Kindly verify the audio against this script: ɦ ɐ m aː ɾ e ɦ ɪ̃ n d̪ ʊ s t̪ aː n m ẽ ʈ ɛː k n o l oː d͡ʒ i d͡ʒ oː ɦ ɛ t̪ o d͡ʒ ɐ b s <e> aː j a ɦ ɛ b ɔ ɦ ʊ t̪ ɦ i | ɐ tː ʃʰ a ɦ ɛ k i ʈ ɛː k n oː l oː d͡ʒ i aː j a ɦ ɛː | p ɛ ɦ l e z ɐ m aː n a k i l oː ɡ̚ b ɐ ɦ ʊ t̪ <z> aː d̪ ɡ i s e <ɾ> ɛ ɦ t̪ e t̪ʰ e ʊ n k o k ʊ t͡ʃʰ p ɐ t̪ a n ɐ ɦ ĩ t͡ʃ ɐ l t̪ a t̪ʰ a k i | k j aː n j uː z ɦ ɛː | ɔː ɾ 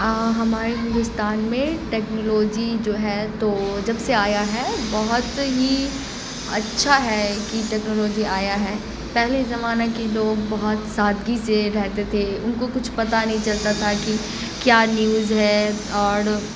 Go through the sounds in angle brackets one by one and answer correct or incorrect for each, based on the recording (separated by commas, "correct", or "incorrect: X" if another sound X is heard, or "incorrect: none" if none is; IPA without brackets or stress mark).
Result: correct, incorrect: s, correct